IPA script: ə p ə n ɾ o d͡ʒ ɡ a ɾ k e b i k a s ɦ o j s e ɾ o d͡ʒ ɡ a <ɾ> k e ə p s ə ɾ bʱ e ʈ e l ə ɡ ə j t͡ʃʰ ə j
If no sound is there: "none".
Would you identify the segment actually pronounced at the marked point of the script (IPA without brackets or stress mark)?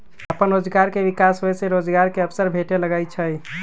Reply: ɾ